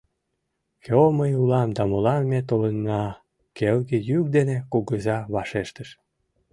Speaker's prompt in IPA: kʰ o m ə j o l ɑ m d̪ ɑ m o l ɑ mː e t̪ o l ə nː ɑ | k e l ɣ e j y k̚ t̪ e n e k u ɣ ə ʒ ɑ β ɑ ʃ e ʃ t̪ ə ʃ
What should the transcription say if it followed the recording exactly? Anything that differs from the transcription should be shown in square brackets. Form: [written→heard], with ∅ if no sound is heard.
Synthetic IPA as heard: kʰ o m ə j [o→u] l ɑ m d̪ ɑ m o l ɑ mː e t̪ o l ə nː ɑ | k e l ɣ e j y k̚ [t̪→d̪] e n e k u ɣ ə [ʒ→z] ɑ β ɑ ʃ e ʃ t̪ ə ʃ

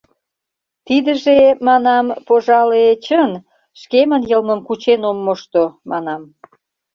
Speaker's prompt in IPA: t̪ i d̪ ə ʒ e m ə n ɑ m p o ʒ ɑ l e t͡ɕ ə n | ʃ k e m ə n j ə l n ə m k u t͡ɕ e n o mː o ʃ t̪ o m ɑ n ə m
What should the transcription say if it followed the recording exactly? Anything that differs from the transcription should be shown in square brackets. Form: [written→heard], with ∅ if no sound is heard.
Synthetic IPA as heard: t̪ i d̪ ə ʒ e m [ə→ɑ] n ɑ m p o ʒ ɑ l e t͡ɕ ə n | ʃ k e m ə n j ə l [n→m] ə m k u t͡ɕ e n o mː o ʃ t̪ o m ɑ n [ə→ɑ] m

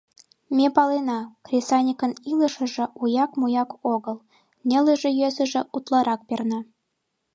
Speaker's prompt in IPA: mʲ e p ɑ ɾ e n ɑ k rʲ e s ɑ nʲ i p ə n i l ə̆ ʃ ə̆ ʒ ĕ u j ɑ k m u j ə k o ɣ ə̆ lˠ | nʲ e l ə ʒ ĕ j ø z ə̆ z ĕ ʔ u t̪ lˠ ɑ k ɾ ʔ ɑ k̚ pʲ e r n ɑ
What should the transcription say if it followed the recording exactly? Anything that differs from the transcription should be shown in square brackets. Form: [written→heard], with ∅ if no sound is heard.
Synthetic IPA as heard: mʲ e p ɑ [ɾ→l] e n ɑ k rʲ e s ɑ nʲ i [p→k] ə n i l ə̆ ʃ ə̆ ʒ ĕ u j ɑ k m u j [ə→ɑ] k o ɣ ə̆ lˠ | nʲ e l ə ʒ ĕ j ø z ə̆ [z→ʒ] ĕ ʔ u t̪ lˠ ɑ [k→∅] ɾ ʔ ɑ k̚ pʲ e r n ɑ

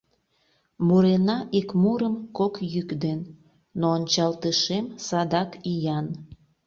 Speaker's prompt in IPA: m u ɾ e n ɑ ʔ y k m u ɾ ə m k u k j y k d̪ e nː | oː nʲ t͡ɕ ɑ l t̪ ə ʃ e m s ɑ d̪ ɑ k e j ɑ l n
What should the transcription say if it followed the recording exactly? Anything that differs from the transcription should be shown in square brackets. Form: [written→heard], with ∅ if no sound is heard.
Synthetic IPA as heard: m u ɾ e n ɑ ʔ [y→i] k m u ɾ ə m k [u→o] k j y k d̪ e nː | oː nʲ t͡ɕ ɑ l t̪ ə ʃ e m s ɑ d̪ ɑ k [e→i] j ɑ [l→∅] n

